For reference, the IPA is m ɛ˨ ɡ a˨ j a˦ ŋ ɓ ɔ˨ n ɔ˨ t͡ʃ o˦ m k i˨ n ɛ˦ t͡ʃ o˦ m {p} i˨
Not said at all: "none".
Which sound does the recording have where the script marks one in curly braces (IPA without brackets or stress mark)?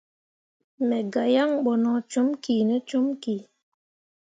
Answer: k